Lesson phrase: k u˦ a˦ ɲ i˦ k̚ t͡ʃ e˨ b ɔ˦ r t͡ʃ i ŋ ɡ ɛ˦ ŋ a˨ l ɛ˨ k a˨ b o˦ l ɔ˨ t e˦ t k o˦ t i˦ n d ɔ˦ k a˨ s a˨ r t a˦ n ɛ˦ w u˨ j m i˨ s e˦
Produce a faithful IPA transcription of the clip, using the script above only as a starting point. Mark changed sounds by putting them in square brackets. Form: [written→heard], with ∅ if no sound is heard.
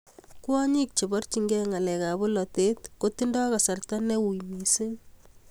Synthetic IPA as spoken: k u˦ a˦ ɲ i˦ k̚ t͡ʃ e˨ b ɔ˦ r t͡ʃ i ŋ ɡ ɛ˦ ŋ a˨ l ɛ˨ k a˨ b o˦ l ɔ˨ t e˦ t k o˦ t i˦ n d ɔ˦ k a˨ s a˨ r t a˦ n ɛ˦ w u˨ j m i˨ s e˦